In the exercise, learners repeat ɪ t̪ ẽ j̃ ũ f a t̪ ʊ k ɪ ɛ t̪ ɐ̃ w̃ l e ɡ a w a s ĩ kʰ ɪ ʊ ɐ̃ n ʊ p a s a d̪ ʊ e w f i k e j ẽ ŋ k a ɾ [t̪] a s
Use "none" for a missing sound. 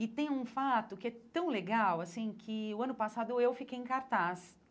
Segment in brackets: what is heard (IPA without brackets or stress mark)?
t̪